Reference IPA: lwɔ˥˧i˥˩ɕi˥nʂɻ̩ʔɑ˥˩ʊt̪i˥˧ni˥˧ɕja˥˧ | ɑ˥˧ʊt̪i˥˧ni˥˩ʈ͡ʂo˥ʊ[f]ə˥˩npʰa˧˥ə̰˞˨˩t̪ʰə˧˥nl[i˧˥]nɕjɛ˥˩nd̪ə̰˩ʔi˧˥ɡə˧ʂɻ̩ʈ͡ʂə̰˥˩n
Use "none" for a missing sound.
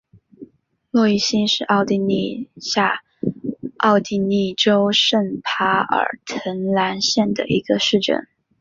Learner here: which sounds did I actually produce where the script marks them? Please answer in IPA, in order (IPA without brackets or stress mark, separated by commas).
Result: ʂ, a˧˥